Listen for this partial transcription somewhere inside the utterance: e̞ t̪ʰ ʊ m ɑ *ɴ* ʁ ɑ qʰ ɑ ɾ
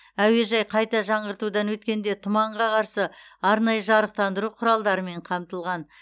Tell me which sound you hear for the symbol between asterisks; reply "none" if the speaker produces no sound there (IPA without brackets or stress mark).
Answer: ɴ